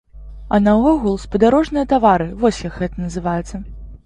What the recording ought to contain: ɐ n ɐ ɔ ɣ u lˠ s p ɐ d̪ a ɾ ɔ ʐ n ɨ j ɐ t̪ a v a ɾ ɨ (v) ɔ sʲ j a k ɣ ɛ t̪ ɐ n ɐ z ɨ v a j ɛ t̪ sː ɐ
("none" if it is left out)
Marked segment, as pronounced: v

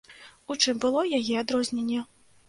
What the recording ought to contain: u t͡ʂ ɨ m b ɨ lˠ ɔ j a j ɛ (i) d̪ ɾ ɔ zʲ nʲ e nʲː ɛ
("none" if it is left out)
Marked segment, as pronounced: a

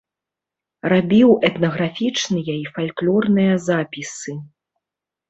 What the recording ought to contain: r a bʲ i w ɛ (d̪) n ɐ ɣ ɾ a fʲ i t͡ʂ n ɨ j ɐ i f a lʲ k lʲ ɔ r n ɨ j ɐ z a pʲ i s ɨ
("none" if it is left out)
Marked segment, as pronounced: t̪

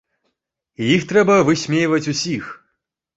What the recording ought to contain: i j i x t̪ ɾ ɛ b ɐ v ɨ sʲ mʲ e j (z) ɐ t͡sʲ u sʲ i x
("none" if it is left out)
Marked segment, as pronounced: v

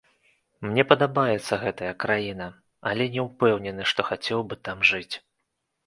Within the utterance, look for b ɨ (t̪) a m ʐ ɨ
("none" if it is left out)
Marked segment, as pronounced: t̪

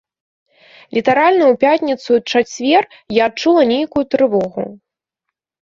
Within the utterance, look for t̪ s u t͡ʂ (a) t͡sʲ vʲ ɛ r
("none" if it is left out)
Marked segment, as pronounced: a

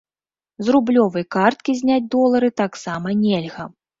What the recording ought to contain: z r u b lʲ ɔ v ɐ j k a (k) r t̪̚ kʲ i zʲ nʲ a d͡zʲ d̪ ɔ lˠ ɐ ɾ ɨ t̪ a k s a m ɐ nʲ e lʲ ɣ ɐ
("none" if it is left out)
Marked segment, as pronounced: none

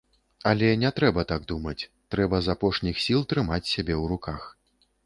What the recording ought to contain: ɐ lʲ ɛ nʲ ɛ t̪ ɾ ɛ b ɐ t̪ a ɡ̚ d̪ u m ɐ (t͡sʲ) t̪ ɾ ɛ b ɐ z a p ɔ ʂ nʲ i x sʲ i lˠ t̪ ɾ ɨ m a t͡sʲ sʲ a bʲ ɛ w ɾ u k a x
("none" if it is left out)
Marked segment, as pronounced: t͡sʲ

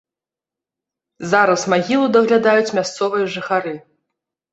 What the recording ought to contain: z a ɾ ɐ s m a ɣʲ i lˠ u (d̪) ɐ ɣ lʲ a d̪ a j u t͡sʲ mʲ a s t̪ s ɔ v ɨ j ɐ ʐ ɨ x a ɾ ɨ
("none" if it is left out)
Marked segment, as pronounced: d̪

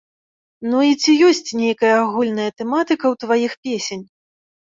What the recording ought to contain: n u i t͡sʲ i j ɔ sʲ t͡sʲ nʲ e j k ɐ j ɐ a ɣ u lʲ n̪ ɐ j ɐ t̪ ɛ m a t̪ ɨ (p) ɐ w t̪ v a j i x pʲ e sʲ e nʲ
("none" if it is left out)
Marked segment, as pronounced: k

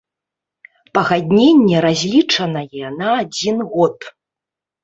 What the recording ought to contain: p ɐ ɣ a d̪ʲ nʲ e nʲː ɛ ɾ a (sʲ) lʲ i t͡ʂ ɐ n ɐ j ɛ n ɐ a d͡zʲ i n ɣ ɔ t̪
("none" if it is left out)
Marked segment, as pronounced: zʲ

